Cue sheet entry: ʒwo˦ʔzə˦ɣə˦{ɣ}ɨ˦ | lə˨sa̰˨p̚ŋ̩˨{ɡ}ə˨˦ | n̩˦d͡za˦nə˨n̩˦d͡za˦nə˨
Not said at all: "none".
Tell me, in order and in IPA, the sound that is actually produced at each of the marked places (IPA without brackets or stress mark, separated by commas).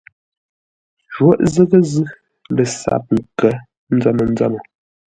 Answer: z, k